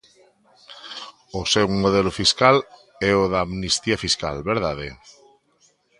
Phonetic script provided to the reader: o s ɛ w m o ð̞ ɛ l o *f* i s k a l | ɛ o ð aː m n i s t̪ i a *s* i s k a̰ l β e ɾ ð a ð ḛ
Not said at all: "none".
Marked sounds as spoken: f, f

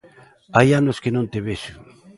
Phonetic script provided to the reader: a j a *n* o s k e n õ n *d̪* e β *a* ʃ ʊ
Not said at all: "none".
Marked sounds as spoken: n, t̪, e

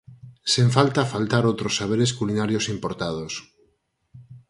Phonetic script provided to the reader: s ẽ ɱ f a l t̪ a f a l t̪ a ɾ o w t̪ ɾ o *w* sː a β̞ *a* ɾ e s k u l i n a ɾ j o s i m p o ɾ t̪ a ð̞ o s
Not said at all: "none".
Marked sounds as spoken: none, e

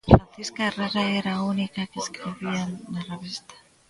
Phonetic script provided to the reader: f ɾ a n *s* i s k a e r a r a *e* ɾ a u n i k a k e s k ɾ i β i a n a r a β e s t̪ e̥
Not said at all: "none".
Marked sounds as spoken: θ, e

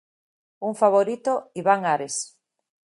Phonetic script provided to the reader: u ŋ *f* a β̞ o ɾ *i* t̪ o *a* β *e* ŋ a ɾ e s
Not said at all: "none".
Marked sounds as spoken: f, i, i, a

